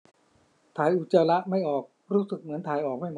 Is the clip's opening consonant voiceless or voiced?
voiceless